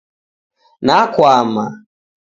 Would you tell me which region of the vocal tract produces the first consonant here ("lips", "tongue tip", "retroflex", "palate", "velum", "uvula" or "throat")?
tongue tip